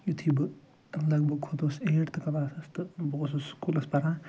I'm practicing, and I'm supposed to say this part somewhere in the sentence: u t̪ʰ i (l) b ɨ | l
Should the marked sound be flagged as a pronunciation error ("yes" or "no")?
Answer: yes